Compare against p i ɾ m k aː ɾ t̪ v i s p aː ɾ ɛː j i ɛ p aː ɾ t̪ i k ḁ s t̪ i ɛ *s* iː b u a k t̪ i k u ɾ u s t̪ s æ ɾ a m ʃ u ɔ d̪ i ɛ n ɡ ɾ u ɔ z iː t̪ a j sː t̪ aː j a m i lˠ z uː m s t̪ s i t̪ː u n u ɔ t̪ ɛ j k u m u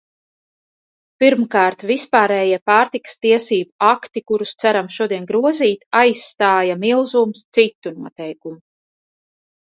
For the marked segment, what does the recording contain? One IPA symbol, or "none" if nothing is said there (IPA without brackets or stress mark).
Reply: s